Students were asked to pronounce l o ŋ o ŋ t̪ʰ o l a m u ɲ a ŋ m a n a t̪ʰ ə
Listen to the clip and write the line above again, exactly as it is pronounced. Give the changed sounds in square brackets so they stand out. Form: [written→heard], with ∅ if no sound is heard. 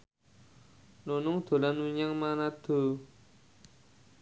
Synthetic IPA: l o [ŋ→n] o ŋ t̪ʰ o l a [m→n] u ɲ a ŋ m a n a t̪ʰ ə